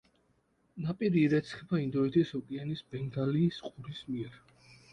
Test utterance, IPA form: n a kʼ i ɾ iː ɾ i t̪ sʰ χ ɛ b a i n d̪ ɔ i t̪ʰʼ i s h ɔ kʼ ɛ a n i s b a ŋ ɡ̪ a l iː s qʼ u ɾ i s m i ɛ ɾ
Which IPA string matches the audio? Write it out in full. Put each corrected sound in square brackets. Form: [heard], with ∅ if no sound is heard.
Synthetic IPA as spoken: n a [pʼ] i ɾ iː ɾ [ɛ] t̪ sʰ χ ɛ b a i n d̪ ɔ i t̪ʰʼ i s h ɔ kʼ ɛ a n i s b [ɛ] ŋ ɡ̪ a l iː s qʼ u ɾ i s m i ɛ ɾ